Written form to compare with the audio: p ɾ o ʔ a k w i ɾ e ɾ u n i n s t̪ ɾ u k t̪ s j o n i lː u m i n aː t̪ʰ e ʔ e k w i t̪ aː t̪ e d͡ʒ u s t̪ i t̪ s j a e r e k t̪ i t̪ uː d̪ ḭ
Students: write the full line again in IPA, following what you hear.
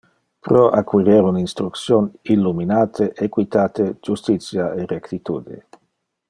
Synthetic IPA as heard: p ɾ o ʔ a k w i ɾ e ɾ u n i n s t̪ ɾ u k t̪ s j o n i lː u m i n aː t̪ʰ e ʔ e k w i t̪ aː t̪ e d͡ʒ u s t̪ i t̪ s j a e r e k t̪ i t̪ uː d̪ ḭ